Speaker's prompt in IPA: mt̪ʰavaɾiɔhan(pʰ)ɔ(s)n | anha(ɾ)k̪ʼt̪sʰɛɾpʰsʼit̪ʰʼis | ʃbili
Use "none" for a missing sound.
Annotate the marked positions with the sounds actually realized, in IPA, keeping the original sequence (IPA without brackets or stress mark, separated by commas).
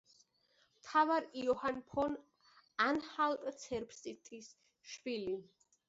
pʰ, none, l